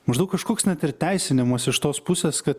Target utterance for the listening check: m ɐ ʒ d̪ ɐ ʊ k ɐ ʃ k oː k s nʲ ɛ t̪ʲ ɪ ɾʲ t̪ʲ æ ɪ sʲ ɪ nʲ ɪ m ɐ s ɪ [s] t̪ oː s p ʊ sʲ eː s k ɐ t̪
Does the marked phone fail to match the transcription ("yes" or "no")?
yes